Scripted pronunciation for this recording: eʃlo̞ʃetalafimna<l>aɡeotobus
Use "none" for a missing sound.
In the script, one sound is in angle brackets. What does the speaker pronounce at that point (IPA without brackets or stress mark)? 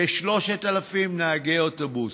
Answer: none